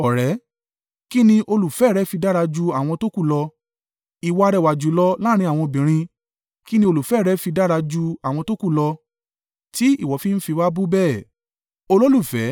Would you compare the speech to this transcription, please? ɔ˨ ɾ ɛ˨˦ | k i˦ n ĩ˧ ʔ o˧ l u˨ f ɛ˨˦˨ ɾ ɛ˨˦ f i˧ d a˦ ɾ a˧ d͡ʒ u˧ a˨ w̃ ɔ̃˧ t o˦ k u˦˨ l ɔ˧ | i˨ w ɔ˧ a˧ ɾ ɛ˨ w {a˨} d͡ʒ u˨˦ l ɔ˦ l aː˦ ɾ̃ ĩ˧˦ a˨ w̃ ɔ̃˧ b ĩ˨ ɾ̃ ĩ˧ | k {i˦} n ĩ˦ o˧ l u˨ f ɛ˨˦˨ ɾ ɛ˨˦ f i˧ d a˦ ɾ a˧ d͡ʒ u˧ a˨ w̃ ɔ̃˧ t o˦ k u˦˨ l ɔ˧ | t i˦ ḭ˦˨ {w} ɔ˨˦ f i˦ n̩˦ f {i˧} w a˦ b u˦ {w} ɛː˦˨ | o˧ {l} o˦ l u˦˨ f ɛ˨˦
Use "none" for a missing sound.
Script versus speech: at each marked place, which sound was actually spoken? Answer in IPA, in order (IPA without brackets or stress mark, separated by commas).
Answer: a˨, i˦, w, i˧, b, l